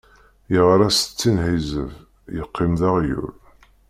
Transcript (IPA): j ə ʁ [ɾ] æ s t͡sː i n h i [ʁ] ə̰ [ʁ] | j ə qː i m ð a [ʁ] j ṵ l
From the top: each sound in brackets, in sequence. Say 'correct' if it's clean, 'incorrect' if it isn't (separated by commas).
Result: correct, incorrect, incorrect, correct